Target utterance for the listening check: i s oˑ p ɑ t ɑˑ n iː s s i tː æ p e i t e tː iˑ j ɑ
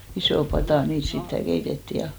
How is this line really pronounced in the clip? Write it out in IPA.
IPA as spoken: i s oˑ p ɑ t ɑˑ n iː t s i tː æ k e i t e tː iˑ j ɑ